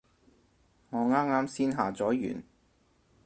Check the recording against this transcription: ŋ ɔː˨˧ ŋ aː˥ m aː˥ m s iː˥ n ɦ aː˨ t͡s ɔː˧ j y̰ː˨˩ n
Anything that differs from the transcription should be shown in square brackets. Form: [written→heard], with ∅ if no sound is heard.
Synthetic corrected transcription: ŋ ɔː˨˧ ŋ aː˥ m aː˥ m s iː˥ n ɦ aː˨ t͡s [ɔː˧→ɔː˨˥] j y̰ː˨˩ n